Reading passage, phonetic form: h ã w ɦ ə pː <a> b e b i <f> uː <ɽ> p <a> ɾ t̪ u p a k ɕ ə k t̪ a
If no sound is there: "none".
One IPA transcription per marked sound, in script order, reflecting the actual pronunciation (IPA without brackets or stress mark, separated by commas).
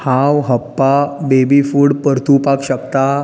a, f, ɽ, ə